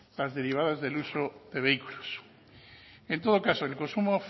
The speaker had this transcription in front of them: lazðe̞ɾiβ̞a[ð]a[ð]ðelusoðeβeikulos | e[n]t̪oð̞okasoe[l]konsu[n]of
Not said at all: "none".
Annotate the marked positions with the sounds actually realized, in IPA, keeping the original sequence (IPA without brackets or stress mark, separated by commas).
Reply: ð, z, n, l, m